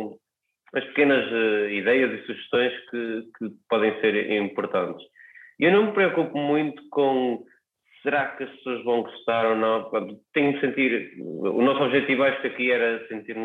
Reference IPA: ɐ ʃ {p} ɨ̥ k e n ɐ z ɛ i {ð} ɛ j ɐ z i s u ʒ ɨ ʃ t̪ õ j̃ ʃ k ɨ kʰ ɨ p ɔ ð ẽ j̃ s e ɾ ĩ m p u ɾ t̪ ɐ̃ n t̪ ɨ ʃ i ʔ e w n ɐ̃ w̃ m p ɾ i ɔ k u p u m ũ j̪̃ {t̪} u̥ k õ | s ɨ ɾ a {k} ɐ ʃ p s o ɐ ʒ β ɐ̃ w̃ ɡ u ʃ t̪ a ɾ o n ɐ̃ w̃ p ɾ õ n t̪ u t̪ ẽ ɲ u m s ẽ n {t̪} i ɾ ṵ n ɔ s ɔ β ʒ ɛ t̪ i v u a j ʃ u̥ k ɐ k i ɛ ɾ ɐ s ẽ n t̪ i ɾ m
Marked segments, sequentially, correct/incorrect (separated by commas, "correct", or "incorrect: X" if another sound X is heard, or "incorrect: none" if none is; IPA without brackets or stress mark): correct, correct, correct, correct, correct